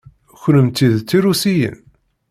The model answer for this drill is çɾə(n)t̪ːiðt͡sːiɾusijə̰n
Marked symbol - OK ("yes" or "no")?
no